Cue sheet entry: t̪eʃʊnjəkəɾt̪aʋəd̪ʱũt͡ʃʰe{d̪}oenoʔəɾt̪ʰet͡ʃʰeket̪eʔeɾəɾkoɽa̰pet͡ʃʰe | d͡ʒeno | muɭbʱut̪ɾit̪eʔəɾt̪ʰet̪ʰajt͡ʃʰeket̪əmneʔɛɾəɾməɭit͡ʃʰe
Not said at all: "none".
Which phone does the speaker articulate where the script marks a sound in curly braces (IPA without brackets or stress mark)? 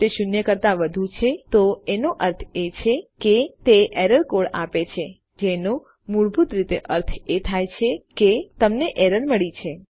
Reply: t̪